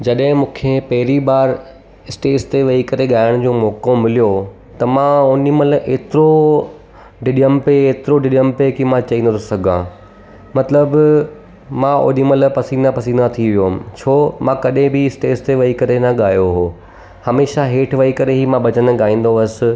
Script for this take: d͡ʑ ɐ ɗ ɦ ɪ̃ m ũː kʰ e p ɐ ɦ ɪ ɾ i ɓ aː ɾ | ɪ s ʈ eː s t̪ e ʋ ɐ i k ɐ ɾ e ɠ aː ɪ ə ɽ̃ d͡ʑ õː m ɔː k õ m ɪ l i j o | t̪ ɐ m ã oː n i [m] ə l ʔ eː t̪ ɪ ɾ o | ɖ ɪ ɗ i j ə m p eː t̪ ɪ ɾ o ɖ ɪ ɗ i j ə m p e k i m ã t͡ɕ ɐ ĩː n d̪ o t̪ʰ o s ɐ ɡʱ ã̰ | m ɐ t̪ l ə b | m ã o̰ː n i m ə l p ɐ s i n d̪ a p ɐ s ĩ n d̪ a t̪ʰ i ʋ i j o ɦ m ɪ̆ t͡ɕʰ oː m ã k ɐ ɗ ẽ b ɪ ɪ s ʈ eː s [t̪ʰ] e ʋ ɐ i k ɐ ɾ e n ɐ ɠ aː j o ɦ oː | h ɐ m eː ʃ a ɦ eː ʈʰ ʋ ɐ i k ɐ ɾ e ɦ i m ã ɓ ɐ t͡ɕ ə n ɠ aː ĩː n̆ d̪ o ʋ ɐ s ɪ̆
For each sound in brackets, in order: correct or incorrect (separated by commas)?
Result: correct, incorrect